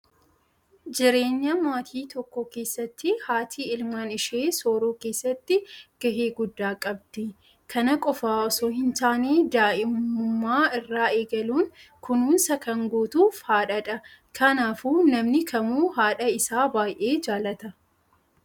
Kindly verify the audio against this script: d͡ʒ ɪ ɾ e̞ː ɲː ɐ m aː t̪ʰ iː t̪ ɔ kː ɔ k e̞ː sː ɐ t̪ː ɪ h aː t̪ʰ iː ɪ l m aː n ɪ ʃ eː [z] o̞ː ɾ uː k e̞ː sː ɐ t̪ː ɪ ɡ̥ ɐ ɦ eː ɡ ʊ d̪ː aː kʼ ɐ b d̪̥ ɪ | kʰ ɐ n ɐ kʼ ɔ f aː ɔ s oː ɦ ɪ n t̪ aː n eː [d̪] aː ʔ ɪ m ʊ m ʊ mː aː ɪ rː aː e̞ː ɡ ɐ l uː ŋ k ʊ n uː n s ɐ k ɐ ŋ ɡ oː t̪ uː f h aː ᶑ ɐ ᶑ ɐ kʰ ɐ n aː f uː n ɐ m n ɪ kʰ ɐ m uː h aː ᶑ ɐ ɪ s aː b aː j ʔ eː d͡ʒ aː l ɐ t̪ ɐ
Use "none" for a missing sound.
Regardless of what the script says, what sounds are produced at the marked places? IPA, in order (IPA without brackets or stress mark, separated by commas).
s, d̪